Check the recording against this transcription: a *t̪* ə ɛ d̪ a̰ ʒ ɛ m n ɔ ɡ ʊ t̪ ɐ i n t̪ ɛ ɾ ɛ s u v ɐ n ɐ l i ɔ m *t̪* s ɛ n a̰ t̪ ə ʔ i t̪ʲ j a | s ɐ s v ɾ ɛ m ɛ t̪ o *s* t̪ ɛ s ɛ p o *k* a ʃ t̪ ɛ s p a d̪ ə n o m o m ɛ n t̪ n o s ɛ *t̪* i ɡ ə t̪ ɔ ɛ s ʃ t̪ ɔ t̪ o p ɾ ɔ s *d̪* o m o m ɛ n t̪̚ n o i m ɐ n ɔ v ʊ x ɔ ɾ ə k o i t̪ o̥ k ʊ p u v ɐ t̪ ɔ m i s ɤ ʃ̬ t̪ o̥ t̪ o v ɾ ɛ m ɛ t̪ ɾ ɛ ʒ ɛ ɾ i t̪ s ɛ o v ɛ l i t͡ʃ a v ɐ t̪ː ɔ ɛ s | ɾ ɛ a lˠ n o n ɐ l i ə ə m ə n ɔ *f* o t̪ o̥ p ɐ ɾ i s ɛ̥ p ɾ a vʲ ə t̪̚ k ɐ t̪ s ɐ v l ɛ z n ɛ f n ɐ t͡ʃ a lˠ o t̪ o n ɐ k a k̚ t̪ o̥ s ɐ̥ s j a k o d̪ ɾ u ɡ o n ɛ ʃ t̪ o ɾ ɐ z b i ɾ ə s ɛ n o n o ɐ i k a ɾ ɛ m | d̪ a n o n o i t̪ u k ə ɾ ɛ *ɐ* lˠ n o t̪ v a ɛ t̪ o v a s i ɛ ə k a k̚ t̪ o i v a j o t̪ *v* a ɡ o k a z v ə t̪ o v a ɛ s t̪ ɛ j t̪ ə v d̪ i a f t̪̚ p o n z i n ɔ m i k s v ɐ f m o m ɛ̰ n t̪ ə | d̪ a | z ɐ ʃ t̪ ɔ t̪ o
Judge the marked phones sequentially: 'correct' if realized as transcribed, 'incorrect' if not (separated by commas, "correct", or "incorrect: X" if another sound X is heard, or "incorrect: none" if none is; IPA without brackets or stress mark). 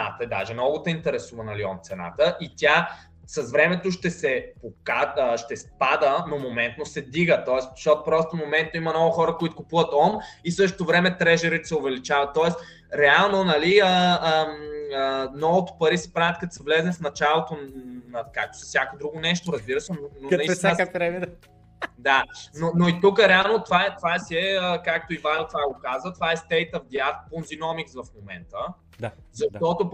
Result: correct, correct, incorrect: ʃ, correct, incorrect: d̪, incorrect: t̪, incorrect: v, incorrect: a, correct